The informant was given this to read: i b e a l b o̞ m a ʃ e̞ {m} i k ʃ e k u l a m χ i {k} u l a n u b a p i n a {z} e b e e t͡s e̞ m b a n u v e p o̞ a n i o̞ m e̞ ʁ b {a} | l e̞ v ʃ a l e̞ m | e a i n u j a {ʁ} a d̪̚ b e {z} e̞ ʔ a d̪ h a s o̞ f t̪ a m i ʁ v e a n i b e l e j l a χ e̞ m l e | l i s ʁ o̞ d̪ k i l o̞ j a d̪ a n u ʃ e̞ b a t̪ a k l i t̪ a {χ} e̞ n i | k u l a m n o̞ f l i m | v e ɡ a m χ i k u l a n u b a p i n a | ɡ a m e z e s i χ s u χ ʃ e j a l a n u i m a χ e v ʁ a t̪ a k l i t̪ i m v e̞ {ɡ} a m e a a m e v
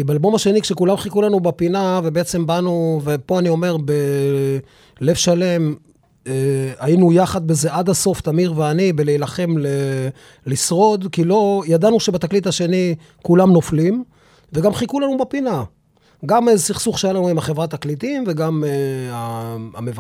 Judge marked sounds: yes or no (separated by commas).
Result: no, yes, no, no, no, yes, no, yes